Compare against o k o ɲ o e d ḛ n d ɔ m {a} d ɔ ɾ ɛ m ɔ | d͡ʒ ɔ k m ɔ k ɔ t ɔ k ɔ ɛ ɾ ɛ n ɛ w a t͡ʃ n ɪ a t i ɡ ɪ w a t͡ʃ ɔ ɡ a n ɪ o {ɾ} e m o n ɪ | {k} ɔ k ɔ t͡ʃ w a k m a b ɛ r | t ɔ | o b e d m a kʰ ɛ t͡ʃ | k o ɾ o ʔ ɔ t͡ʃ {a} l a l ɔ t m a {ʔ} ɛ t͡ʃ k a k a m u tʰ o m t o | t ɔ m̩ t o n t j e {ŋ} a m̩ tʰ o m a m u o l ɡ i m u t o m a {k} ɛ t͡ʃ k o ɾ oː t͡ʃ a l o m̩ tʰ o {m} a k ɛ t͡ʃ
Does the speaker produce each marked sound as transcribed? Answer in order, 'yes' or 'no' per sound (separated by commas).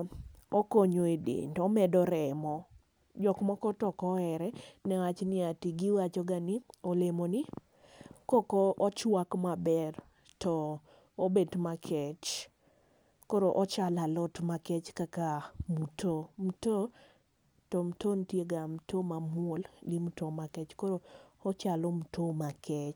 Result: no, no, yes, yes, no, no, yes, yes